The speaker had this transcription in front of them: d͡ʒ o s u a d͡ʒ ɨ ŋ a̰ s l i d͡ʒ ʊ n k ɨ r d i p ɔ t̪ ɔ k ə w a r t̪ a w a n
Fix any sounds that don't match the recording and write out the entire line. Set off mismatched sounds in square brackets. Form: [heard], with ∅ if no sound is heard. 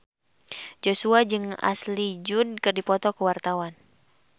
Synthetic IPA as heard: d͡ʒ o s u a d͡ʒ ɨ ŋ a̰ s l i d͡ʒ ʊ n k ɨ r d i p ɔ t̪ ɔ k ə w a r t̪ a w a n